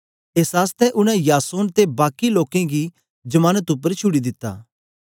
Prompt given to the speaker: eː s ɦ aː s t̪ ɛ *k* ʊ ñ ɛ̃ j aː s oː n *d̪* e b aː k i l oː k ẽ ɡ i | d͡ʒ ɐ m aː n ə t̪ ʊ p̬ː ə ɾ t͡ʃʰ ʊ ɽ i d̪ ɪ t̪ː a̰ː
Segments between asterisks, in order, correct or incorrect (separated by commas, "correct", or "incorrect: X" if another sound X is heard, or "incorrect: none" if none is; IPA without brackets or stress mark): incorrect: ʔ, incorrect: t̪